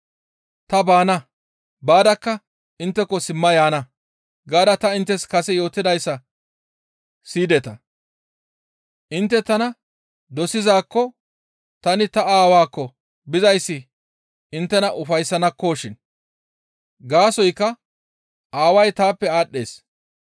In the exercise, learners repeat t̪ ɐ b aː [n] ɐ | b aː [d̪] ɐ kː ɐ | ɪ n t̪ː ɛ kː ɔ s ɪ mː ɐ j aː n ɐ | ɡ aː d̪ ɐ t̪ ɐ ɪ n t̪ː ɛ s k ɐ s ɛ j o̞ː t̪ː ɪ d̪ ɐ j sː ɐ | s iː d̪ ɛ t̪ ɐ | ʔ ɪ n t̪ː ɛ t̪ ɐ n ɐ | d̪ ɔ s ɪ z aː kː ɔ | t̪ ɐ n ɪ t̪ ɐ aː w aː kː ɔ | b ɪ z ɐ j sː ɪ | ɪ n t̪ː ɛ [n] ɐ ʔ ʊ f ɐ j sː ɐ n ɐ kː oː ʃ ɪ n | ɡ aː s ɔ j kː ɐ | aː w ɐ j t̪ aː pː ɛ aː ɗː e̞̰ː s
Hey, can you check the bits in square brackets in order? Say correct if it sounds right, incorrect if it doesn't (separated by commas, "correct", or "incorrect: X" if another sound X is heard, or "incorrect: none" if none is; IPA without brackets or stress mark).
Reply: correct, correct, correct